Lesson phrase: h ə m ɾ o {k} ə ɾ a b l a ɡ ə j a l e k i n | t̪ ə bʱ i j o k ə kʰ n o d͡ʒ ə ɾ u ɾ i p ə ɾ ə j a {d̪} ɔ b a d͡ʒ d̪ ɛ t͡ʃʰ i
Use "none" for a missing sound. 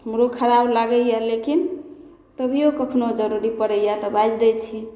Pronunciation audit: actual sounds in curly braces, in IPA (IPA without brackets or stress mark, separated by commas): kʰ, t̪